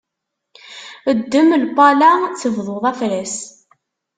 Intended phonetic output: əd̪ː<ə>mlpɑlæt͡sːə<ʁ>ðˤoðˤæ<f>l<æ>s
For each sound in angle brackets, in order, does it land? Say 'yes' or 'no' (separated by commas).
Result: yes, no, yes, yes